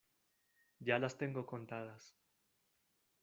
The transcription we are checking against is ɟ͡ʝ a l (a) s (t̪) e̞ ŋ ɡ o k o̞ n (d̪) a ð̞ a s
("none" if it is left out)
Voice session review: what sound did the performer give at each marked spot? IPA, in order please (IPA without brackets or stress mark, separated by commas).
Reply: a, t̪, t̪